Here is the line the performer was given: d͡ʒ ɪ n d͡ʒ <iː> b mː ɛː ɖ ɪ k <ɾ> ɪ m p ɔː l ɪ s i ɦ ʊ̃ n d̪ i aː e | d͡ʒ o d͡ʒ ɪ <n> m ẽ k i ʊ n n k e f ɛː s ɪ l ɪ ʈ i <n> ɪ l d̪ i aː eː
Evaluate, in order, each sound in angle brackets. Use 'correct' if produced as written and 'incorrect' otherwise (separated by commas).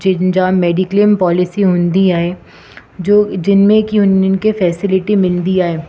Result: incorrect, incorrect, correct, incorrect